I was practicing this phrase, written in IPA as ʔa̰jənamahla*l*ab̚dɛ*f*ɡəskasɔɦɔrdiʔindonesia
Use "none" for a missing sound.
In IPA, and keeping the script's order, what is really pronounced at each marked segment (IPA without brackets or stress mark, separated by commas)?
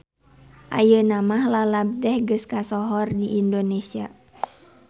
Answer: l, h